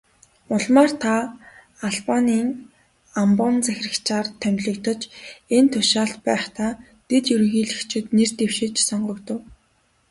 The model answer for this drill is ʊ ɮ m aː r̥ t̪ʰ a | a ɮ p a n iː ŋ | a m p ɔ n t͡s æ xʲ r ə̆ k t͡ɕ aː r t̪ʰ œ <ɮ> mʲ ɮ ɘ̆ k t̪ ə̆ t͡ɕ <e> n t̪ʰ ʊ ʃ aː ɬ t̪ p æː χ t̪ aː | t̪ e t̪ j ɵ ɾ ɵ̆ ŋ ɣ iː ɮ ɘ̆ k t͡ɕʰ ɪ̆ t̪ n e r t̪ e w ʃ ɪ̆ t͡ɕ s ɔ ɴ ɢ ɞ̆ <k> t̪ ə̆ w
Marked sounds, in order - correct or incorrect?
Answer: incorrect, correct, correct

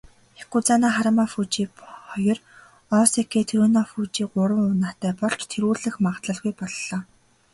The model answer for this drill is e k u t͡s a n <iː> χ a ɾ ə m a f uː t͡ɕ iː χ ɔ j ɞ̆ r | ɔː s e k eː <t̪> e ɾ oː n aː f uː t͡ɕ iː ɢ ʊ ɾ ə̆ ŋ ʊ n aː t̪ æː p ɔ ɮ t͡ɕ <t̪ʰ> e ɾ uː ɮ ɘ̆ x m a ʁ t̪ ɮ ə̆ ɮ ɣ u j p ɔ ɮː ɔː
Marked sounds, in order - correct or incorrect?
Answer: incorrect, incorrect, correct

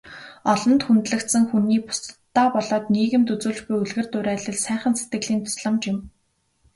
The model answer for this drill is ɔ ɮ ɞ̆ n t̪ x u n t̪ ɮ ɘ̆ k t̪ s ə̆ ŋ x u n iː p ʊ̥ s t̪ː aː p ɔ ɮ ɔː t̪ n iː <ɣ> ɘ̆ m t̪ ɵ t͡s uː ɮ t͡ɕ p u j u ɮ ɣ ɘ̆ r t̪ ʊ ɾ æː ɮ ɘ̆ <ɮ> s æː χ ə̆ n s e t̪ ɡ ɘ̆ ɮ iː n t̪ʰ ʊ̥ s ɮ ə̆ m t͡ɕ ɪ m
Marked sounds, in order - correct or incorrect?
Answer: correct, correct

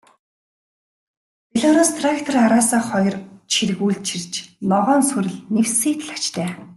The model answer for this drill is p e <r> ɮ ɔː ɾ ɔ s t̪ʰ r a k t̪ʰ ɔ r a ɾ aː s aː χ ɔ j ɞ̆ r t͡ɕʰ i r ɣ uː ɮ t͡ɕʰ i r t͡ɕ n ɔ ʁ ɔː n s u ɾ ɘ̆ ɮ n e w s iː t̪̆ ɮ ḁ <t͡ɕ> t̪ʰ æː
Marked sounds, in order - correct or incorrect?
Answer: incorrect, correct

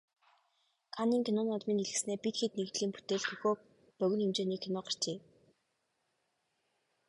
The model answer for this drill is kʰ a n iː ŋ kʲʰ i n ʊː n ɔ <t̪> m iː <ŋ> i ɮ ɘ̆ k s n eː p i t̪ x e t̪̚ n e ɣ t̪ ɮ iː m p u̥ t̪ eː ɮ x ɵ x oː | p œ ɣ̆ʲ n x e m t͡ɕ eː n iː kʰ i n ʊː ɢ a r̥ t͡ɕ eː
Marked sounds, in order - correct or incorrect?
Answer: correct, incorrect

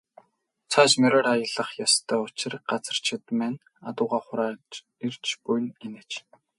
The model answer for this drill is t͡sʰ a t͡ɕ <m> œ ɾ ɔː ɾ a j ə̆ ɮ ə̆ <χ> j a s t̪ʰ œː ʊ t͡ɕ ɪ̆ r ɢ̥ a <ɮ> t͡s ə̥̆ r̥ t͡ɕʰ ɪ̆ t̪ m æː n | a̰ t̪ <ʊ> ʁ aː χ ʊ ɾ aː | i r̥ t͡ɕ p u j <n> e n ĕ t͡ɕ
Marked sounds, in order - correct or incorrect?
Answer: correct, correct, incorrect, incorrect, correct

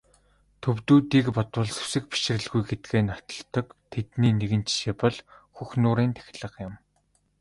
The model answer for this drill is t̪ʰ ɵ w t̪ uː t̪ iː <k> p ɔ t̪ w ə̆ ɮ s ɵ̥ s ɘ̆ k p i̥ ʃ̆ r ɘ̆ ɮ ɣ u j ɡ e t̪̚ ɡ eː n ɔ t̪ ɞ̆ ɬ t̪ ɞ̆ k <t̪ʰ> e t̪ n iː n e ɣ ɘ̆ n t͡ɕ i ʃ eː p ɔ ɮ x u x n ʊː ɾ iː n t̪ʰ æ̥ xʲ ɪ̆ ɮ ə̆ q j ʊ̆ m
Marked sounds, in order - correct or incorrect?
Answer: correct, correct

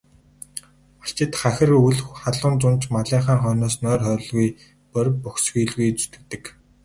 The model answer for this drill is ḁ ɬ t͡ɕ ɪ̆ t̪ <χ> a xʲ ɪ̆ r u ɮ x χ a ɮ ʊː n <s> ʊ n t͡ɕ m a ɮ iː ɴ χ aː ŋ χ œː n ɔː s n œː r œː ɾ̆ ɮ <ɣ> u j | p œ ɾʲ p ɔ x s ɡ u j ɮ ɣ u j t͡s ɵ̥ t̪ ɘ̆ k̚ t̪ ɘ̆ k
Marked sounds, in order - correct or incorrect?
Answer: correct, incorrect, correct

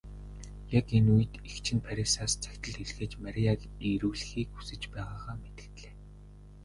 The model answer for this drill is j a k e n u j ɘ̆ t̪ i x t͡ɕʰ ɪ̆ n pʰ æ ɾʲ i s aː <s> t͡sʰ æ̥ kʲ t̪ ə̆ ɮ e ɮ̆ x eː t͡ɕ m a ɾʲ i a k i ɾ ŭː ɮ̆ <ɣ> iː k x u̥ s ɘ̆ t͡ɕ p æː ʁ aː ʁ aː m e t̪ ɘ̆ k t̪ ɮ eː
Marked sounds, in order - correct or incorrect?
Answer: correct, incorrect

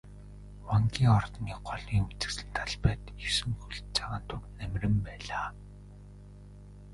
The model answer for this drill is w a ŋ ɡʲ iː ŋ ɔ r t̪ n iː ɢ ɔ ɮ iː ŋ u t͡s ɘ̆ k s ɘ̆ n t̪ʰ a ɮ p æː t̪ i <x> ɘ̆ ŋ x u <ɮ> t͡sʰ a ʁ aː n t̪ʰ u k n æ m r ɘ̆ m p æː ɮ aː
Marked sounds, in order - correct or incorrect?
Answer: incorrect, correct

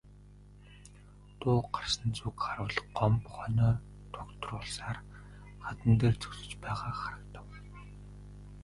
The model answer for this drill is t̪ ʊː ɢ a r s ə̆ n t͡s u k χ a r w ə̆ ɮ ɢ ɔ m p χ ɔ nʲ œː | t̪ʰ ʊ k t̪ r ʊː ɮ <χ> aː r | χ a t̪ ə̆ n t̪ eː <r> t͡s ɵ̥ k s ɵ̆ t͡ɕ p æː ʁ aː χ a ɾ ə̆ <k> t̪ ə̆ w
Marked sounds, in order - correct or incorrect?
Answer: incorrect, correct, correct

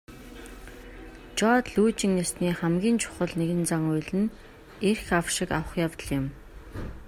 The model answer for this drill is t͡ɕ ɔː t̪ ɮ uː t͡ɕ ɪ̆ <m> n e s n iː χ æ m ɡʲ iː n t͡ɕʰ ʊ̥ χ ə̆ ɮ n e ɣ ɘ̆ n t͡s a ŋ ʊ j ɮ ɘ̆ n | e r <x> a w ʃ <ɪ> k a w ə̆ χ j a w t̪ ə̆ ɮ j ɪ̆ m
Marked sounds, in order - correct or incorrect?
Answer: incorrect, correct, correct

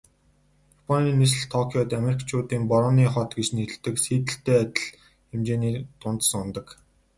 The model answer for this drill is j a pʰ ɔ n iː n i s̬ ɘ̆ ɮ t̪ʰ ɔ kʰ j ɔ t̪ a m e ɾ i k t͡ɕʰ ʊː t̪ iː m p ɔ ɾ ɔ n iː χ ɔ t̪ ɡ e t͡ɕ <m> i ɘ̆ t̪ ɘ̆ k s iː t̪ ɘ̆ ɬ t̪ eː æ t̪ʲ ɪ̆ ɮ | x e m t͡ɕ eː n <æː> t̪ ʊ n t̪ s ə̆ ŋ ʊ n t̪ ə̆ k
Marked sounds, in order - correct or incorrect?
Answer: incorrect, incorrect

